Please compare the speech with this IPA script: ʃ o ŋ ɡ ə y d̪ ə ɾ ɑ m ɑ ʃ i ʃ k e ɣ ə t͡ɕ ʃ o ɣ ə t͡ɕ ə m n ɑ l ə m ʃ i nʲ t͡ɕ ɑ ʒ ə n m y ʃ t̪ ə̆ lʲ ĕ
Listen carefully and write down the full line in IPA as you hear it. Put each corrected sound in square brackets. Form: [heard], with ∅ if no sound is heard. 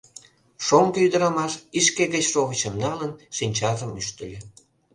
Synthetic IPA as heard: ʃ o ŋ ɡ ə y d̪ ə ɾ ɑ m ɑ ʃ i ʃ k e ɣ ə t͡ɕ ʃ o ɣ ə t͡ɕ ə m n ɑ l ə [n] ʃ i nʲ t͡ɕ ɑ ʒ ə [∅] m y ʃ t̪ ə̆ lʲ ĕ